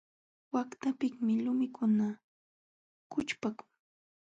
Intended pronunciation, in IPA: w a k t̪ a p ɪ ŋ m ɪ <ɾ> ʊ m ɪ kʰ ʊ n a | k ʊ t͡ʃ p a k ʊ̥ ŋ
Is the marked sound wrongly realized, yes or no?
yes